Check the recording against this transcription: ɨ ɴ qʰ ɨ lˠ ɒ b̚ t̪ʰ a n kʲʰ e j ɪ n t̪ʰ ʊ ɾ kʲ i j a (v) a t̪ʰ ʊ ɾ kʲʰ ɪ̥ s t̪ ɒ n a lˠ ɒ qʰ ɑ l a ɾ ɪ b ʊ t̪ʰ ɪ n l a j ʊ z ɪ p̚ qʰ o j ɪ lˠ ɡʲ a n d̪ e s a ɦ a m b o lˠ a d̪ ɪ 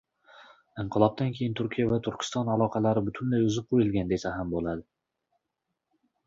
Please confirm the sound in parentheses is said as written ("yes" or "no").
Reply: yes